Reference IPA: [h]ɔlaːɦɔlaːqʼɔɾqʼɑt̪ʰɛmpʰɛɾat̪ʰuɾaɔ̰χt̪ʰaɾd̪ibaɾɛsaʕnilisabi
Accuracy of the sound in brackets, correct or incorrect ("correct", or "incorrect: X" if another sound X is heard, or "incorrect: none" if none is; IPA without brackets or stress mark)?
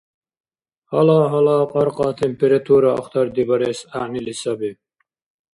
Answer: correct